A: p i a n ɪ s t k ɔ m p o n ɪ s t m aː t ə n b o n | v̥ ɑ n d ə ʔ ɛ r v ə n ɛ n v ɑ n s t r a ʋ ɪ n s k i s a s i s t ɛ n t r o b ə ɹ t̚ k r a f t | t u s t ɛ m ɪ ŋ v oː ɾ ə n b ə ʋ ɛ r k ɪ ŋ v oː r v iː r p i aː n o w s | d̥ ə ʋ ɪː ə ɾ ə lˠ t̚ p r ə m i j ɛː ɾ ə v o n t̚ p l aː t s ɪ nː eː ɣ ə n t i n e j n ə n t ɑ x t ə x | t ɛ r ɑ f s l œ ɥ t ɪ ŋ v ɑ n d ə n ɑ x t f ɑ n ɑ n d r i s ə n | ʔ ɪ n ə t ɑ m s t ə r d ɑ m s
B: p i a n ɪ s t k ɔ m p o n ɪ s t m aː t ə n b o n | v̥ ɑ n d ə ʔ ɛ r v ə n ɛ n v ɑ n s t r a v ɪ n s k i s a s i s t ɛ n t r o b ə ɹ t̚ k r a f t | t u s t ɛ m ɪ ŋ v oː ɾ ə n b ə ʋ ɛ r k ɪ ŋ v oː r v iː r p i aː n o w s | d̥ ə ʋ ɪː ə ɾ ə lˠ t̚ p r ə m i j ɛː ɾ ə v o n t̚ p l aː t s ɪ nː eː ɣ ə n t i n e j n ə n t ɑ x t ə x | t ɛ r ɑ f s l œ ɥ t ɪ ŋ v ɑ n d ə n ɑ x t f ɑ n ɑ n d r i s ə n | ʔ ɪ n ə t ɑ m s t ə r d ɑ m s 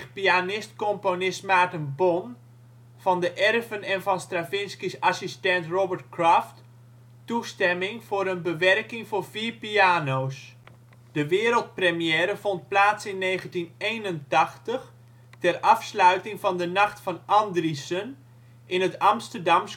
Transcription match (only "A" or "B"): B